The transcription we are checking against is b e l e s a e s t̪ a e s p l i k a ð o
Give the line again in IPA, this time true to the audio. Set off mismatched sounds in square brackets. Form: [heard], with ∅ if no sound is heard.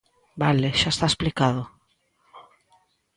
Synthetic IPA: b [a] l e [ʃ] a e s t̪ a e s p l i k a ð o